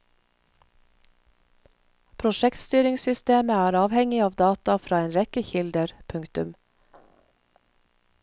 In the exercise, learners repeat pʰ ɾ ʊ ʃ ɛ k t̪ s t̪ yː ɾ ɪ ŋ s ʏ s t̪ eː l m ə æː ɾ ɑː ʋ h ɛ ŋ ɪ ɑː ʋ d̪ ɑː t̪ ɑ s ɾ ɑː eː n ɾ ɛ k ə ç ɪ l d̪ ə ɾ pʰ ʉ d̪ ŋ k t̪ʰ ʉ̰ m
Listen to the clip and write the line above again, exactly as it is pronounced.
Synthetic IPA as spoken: pʰ ɾ ʊ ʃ ɛ k t̪ s t̪ yː ɾ ɪ ŋ s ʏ s t̪ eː m ə æː ɾ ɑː ʋ h ɛ ŋ ɪ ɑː ʋ d̪ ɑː t̪ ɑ f ɾ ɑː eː n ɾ ɛ k ə ç ɪ l d̪ ə ɾ pʰ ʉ ŋ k t̪ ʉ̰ m